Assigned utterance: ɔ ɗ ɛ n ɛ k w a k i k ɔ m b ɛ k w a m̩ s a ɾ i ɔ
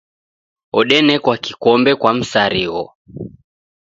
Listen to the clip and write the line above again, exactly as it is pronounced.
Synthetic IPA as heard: ɔ ɗ ɛ n ɛ k w a k i k ɔ m b ɛ k w a m̩ s a ɾ i ɔ